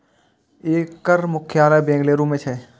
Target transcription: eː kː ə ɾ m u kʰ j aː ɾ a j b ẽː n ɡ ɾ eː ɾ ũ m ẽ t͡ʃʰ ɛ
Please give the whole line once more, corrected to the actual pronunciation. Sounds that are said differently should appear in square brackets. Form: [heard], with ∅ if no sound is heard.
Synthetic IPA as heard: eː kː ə ɾ m [ʊ] kʰ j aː [l] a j b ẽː [ŋ] ɡ [l] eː ɾ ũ m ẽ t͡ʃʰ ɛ